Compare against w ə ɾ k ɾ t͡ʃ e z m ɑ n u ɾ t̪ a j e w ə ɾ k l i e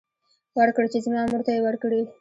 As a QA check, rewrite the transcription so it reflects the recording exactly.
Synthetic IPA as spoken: w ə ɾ k ɽ t͡ʃ e z m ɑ m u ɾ t̪ a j e w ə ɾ k ɽ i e